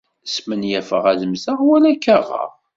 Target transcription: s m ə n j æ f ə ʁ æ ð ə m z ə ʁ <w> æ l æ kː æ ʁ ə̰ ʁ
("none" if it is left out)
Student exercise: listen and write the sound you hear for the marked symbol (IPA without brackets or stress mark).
w